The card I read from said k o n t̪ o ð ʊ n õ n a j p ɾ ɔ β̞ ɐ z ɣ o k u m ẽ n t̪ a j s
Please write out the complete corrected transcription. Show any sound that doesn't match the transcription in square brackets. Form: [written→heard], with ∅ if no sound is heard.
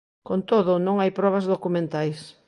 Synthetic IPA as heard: k o n t̪ o ð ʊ n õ [n→ŋ] a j p ɾ ɔ β̞ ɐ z [ɣ→ð] o k u m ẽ n t̪ a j s